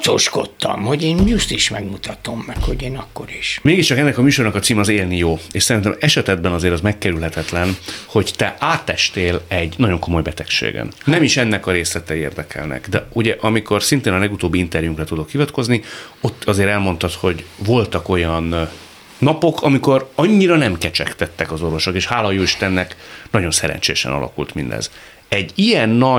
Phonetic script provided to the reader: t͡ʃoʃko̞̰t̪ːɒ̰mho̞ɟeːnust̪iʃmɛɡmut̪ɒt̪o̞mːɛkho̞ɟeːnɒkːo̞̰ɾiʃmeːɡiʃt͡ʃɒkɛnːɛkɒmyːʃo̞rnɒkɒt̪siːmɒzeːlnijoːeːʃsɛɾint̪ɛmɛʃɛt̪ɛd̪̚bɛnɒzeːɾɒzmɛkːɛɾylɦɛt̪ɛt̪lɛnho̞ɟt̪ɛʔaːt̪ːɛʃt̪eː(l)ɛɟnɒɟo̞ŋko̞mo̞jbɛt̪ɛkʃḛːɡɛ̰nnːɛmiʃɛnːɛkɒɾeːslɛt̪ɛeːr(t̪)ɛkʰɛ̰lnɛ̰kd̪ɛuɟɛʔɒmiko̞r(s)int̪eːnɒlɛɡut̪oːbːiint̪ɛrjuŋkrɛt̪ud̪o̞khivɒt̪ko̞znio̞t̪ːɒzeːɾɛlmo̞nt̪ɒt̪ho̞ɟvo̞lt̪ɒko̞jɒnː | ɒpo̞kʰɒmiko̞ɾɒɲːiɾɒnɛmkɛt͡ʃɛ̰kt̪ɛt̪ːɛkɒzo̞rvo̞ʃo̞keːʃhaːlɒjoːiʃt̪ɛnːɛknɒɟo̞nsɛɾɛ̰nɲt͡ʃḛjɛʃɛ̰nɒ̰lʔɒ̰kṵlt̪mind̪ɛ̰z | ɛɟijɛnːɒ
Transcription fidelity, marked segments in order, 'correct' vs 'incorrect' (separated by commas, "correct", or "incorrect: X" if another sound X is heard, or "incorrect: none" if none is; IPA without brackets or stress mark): correct, incorrect: d̪, correct